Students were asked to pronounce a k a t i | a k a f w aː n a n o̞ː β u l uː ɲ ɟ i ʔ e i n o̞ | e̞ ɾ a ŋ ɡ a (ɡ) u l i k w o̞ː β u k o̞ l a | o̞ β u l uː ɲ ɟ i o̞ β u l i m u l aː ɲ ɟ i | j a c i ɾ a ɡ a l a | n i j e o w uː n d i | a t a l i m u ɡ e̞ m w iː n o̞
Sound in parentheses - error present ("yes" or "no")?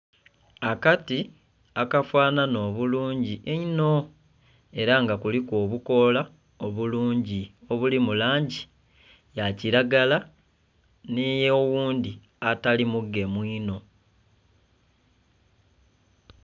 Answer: yes